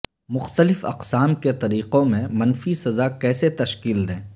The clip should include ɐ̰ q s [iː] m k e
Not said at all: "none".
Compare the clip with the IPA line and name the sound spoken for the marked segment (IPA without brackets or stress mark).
aː